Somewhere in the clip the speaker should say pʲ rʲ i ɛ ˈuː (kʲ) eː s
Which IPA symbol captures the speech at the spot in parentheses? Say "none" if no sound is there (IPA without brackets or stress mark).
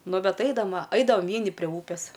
pʲ